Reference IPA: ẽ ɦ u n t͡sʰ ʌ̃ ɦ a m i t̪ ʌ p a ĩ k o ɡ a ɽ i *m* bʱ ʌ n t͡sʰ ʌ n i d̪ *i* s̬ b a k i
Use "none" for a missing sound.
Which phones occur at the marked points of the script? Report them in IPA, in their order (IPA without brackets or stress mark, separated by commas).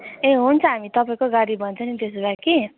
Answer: none, e